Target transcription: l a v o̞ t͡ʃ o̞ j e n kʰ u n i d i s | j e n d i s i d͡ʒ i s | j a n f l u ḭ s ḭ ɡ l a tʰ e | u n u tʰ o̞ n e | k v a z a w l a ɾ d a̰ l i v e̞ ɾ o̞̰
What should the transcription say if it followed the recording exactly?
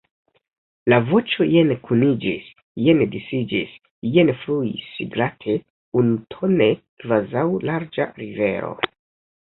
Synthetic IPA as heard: l a v o̞ t͡ʃ o̞ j e n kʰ u n i d͡ʒ i s | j e n d i s i d͡ʒ i s | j e n f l u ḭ s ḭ ɡ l a tʰ e | u n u tʰ o̞ n e | k v a z a w l a ɾ d͡ʒ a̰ ɾ i v e̞ ɾ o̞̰

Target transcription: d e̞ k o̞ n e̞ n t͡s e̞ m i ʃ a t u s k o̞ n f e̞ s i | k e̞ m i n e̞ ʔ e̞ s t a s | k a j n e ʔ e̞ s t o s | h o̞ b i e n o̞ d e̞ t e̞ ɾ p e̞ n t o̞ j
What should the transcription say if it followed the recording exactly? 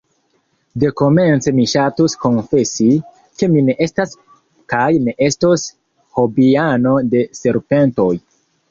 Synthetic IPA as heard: d e̞ k o̞ m e̞ n t͡s e̞ m i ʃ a t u s k o̞ n f e̞ s i | k e̞ m i n e̞ ʔ e̞ s t a s | k a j n e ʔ e̞ s t o s | h o̞ b i a n o̞ d e̞ s e̞ ɾ p e̞ n t o̞ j

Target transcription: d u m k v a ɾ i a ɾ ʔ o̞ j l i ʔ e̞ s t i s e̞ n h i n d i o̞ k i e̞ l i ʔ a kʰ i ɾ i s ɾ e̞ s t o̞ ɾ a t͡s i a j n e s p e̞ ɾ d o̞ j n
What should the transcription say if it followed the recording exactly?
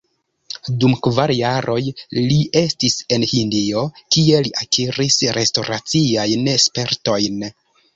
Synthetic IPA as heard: d u m k v a ɾ j a ɾ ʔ o̞ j l i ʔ e̞ s t i s e̞ n h i n d i o̞ k i e̞ l i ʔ a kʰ i ɾ i s ɾ e̞ s t o̞ ɾ a t͡s i a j n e s p e̞ ɾ t o̞ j n

